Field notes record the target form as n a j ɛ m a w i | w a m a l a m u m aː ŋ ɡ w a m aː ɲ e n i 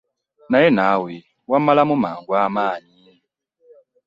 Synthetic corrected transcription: n a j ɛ n a w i | w a m a l a m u m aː ŋ ɡ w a m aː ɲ i n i